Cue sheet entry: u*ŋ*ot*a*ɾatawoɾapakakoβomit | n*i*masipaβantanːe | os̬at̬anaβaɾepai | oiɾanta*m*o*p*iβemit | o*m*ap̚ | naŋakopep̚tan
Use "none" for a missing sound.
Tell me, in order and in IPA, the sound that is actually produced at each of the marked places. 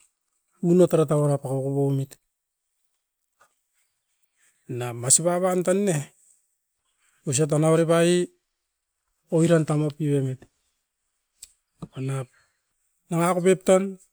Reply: n, a, a, m, p, n

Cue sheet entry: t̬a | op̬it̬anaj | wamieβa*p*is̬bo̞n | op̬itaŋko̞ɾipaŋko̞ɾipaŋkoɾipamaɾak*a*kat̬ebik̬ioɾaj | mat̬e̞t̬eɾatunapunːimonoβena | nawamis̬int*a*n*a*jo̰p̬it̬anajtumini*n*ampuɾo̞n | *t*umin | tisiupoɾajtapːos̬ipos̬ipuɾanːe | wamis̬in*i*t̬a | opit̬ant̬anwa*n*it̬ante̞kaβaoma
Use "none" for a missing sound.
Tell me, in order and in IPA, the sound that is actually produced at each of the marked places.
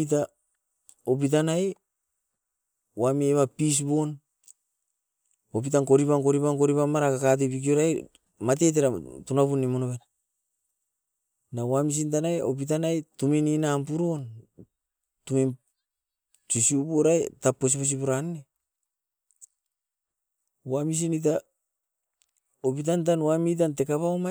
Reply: p, a, a, a, n, t, i, m

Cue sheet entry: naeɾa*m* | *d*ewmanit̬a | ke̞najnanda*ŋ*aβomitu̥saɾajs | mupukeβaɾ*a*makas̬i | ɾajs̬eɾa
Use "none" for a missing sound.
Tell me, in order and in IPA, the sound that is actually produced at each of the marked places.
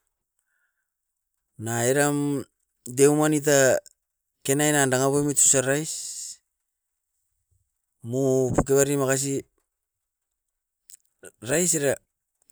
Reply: m, d, ŋ, i

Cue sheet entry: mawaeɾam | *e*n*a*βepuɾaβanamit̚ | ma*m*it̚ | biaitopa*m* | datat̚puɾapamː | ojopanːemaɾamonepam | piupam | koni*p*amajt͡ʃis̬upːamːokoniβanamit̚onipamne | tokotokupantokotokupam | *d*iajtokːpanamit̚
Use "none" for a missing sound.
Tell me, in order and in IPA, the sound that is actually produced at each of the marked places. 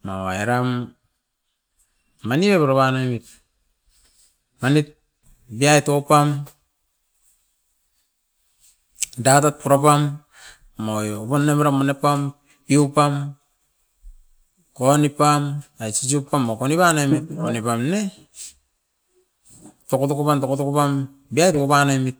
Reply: a, i, n, m, p, b

